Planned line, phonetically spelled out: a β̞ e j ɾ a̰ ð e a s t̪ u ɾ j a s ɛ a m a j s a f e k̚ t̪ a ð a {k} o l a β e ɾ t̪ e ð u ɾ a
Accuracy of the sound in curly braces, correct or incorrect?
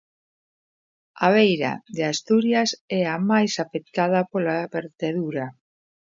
incorrect